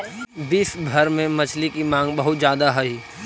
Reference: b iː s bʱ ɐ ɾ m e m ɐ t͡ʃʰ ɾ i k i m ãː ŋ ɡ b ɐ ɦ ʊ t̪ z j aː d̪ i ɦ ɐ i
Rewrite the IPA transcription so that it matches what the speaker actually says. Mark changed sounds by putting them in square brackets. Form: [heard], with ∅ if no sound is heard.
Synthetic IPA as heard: b iː s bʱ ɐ ɾ m [ẽ] m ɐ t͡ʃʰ [l] i k i m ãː ŋ ɡ b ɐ ɦ ʊ t̪ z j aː d̪ [a] ɦ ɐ i

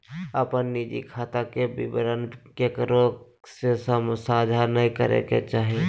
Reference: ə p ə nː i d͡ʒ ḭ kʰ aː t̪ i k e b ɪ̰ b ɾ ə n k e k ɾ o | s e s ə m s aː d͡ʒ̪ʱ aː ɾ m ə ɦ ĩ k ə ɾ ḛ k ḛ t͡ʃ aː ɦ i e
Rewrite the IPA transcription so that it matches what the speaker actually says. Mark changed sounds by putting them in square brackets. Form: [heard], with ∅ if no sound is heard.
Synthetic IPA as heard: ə p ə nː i d͡ʒ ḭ kʰ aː t̪ [a] k e b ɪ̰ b ɾ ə n k e k ɾ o | s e s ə m s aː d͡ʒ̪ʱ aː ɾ [n] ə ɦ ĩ k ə ɾ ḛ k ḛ t͡ʃ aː ɦ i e

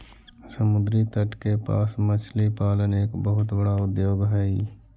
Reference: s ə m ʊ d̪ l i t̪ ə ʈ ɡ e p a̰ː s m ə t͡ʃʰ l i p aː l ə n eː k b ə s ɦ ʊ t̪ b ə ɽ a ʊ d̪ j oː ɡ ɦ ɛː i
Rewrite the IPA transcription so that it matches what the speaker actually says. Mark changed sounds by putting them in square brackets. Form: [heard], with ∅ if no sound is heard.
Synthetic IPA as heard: s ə m ʊ d̪ [ɾ] i t̪ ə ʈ [k] e p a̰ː s m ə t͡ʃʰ l i p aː l ə n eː k b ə [∅] ɦ ʊ t̪ b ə ɽ a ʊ d̪ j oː ɡ ɦ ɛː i

